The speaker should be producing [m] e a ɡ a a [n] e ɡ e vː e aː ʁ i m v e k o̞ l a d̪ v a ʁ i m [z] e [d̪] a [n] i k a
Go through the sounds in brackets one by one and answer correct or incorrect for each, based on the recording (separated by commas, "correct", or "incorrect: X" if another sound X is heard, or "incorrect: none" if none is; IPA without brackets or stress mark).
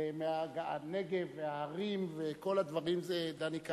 correct, correct, correct, correct, correct